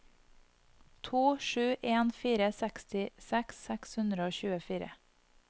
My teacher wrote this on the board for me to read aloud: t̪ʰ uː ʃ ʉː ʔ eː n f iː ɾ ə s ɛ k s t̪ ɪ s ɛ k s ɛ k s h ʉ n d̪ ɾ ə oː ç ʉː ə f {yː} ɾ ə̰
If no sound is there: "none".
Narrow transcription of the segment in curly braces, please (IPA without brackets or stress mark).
iː